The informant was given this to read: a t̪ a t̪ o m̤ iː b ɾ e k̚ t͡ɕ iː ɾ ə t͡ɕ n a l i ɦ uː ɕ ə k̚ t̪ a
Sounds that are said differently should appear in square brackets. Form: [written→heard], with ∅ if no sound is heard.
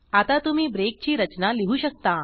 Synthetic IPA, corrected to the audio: a t̪ a t̪ [o→u] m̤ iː b ɾ e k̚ t͡ɕ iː ɾ ə t͡ɕ n a l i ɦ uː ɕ ə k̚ t̪ a